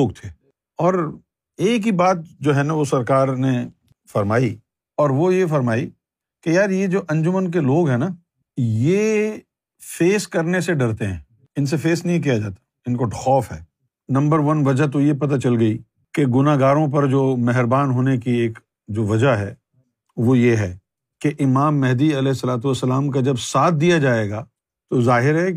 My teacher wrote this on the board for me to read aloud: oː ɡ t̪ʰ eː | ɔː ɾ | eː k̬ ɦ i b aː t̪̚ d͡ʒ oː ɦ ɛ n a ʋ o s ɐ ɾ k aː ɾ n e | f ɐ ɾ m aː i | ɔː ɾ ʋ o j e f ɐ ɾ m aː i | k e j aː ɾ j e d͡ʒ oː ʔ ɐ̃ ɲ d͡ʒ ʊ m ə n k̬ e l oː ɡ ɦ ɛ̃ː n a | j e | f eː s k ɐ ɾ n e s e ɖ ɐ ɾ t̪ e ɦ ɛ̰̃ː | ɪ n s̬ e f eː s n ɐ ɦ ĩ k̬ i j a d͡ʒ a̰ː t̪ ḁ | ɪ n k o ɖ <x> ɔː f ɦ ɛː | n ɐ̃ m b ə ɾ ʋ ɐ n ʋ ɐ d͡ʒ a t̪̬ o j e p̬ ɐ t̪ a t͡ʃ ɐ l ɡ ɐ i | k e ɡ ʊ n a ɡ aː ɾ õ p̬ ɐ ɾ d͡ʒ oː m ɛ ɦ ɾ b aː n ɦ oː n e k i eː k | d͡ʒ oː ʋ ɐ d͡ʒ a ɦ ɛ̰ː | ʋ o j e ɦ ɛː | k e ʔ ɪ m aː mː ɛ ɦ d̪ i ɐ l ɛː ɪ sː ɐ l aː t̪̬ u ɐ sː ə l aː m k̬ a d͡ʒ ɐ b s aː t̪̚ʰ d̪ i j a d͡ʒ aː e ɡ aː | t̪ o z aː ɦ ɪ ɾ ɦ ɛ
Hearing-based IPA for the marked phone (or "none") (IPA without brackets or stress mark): x